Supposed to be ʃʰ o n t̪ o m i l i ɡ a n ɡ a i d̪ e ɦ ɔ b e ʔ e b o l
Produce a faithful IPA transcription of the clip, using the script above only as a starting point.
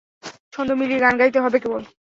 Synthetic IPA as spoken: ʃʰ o n d̪ o m i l i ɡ a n ɡ a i t̪ e ɦ ɔ b e k e b o l